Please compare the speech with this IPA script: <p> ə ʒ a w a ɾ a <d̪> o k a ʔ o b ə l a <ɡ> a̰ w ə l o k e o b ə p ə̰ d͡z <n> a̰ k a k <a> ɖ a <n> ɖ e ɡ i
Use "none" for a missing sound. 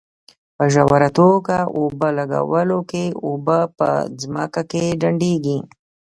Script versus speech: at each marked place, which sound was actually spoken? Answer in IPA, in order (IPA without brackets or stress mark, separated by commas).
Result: p, t̪, ɡ, m, e, ɳ